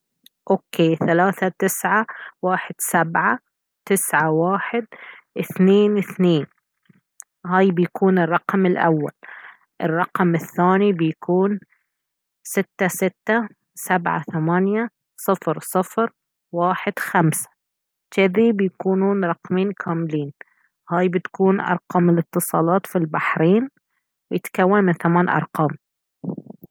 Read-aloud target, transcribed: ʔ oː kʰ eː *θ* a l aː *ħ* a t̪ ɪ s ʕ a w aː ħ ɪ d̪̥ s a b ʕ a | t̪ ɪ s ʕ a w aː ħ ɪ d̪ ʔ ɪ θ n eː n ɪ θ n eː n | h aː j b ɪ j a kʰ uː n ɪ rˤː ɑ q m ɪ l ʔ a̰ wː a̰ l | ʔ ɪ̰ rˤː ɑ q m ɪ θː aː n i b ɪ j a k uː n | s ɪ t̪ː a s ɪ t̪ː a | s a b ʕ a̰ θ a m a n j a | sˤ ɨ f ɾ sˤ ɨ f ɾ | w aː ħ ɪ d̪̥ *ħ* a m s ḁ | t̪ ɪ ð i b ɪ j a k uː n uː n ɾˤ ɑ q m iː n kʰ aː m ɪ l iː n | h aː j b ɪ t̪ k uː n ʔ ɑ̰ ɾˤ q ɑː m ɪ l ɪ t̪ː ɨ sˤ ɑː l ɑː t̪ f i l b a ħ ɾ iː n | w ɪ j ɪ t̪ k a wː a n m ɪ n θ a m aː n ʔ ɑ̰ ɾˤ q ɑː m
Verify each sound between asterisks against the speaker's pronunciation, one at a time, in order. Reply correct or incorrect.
correct, incorrect: θ, incorrect: x

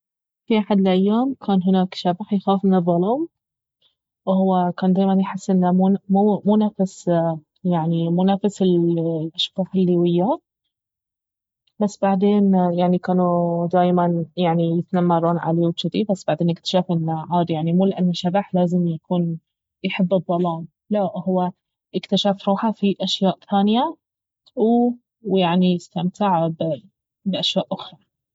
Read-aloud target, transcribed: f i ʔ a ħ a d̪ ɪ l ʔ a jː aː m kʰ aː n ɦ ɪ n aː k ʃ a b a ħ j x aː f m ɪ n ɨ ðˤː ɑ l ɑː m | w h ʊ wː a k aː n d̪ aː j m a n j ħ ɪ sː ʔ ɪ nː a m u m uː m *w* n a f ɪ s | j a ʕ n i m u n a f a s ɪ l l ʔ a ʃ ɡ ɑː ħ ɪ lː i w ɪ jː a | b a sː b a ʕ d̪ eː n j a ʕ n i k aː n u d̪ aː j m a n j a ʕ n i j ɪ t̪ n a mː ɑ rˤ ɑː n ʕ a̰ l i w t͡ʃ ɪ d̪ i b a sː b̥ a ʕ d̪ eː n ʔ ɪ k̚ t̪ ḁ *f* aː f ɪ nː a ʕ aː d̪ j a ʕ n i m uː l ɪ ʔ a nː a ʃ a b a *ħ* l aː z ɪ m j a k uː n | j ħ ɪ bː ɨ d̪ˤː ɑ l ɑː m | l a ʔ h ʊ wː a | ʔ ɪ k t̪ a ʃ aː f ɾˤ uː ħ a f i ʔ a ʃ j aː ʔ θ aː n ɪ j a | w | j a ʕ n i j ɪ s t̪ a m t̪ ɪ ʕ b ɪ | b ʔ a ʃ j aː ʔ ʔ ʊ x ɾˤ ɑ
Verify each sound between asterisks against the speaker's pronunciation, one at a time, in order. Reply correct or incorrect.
incorrect: u, incorrect: ʃ, correct

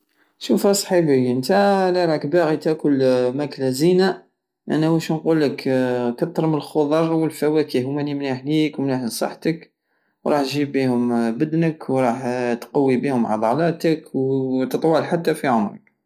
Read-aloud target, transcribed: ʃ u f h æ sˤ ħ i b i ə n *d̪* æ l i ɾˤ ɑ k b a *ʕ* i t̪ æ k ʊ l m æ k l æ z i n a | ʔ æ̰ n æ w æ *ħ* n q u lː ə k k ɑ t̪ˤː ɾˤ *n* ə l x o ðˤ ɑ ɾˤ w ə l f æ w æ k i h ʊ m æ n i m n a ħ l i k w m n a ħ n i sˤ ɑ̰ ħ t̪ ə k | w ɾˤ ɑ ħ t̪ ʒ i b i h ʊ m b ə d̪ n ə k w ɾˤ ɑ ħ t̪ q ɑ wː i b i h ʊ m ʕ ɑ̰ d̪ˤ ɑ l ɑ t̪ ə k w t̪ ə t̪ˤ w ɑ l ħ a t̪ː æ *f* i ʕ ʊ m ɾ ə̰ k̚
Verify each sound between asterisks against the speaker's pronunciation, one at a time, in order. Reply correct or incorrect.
incorrect: t̪, incorrect: ɣ, incorrect: ʃ, incorrect: m, correct

